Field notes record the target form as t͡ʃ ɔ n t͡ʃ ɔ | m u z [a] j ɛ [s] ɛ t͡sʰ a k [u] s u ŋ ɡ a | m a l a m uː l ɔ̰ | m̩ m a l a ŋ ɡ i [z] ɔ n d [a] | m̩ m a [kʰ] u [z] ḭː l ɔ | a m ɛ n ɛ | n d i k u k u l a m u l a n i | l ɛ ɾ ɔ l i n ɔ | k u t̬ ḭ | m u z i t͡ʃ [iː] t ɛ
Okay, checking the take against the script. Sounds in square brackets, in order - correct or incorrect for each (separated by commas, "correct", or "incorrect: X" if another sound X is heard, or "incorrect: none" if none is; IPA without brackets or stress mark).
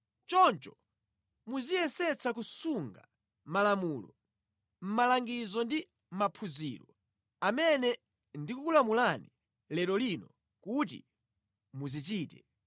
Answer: incorrect: i, correct, correct, correct, incorrect: i, incorrect: pʰ, correct, correct